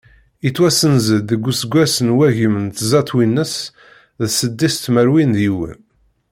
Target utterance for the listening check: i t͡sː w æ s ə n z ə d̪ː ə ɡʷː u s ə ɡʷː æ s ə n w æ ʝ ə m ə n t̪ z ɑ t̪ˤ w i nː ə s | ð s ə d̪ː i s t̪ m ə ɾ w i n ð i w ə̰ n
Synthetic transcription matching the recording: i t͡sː w æ s ə n z ə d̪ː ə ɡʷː u s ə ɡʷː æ s ə n w æ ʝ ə m ə n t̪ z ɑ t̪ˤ w i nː ə s | ð s ə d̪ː i s t̪ m ə ɾ w i n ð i w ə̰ n